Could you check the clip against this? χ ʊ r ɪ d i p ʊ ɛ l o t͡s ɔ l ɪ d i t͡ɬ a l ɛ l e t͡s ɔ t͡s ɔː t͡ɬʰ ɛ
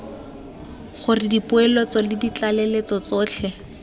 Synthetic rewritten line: χ ʊ r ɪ d i p ʊ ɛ l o t͡s ɔ l ɪ d i t͡ɬ a l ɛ l e t͡s ɔ t͡s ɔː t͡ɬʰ ɛ